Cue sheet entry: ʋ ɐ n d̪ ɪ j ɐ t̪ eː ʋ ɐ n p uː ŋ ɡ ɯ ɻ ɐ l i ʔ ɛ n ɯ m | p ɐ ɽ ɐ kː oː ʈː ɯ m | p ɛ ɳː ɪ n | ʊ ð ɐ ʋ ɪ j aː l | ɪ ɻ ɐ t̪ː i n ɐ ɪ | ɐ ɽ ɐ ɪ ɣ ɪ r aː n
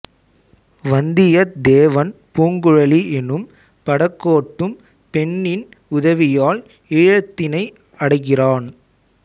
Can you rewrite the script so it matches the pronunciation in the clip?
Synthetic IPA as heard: ʋ ɐ n d̪ ɪ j ɐ d̪ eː ʋ ɐ n p uː ŋ ɡ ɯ ɻ ɐ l i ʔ ɛ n ɯ m | p ɐ ɽ ɐ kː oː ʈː ɯ m | p ɛ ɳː ɪ n | ʊ ð ɐ ʋ ɪ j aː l | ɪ ɻ ɐ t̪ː ɪ n ɐ ɪ | ɐ ɽ ɐ ɪ ɣ ɪ r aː n